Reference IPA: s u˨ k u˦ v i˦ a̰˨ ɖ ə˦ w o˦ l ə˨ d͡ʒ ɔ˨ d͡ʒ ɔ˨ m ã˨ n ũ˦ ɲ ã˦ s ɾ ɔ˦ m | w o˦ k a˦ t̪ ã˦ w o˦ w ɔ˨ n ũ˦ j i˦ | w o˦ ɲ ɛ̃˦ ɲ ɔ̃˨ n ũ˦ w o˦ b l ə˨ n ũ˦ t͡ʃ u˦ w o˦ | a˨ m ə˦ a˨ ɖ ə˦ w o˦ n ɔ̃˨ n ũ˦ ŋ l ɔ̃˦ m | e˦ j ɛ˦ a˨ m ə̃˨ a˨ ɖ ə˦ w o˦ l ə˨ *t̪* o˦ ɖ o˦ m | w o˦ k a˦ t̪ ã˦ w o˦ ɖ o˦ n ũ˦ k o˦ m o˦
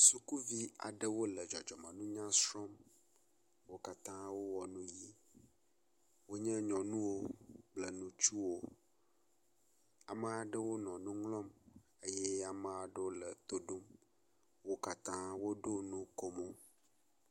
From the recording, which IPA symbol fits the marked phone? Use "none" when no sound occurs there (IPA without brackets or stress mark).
t̪